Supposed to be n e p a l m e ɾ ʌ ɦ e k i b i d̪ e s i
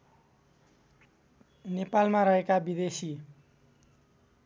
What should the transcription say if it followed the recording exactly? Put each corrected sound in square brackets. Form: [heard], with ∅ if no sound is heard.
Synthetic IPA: n e p a l m [a] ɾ ʌ ɦ e k [a] b i d̪ e s i

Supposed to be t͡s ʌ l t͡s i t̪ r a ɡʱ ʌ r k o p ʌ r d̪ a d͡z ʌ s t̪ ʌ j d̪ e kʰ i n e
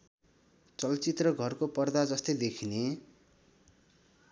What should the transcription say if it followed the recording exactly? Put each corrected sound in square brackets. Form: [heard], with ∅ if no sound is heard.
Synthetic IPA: t͡s ʌ l t͡s i t̪ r [ʌ] ɡʱ ʌ r k o p ʌ r d̪ a d͡z ʌ s t̪ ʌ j d̪ e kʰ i n e

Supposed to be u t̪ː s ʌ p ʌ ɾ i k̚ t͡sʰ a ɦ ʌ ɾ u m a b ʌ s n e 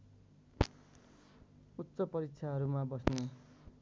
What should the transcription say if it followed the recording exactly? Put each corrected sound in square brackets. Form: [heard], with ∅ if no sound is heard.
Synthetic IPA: u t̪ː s ʌ p ʌ ɾ i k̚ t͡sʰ a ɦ ʌ ɾ u m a b ʌ s n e

